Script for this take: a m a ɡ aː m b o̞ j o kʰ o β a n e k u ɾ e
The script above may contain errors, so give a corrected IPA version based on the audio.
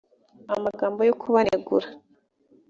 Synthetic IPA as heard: a m a ɡ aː m b o̞ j o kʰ u β a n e ɡ u ɾ a